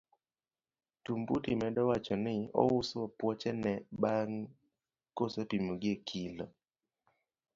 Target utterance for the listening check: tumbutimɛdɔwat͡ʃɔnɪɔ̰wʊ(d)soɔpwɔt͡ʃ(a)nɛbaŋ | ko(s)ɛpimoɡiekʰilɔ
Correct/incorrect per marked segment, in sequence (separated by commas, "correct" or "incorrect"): incorrect, incorrect, correct